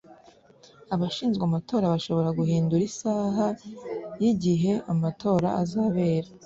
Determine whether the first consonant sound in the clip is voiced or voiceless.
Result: voiced